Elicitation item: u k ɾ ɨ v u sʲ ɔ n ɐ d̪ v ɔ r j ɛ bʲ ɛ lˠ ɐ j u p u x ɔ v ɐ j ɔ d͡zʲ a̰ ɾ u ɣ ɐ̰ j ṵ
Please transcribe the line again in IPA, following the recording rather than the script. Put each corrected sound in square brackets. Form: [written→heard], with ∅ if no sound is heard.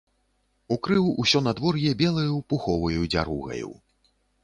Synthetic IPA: u k ɾ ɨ [v→w] u sʲ ɔ n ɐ d̪ v ɔ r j ɛ bʲ ɛ lˠ ɐ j u p u x ɔ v ɐ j [ɔ→u] d͡zʲ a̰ ɾ u ɣ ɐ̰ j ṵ